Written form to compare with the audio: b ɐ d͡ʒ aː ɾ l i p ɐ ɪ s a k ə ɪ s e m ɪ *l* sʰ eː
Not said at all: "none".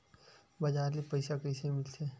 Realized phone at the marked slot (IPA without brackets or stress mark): l